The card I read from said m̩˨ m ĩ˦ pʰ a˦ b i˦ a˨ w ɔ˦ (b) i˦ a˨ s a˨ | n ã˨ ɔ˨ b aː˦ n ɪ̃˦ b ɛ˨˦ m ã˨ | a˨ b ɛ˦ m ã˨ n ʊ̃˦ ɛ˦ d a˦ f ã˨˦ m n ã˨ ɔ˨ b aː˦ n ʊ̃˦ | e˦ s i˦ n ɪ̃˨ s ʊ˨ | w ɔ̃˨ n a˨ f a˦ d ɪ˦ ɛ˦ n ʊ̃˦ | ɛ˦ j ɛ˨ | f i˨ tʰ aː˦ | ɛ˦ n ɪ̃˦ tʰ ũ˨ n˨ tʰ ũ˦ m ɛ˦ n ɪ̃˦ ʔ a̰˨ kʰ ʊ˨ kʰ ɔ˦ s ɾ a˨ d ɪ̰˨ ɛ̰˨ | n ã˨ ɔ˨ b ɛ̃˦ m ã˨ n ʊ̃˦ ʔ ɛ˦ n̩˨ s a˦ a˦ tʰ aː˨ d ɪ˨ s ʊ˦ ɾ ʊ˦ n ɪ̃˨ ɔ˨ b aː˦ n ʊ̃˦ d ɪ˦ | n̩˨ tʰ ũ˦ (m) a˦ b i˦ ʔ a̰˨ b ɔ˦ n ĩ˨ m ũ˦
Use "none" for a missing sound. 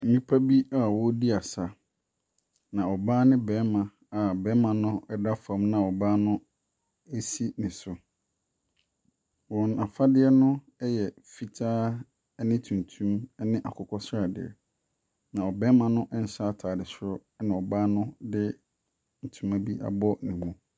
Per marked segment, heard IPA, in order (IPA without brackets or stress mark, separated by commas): d, m